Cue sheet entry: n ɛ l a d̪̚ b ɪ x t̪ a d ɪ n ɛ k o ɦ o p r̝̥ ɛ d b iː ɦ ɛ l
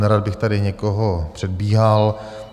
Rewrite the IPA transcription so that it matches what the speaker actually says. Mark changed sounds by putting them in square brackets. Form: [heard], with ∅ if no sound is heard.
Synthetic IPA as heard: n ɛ [ɾ] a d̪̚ b ɪ x t̪ a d ɪ [ɲ] ɛ k o ɦ o p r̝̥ ɛ d b iː ɦ [a] l

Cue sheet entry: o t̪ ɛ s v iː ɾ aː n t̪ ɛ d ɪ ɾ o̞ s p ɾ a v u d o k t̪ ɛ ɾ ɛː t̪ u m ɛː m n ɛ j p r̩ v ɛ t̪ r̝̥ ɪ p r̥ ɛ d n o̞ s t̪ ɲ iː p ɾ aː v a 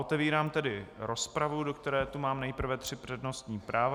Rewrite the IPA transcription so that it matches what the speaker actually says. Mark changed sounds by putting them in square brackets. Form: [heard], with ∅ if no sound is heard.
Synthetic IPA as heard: o t̪ ɛ [∅] v iː ɾ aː [m] t̪ ɛ d ɪ ɾ o̞ s p ɾ a v u d o k t̪ ɛ ɾ ɛː t̪ u m [aː] m n ɛ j p r̩ v ɛ t̪ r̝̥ ɪ p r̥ ɛ d n o̞ s t̪ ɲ iː p ɾ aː v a

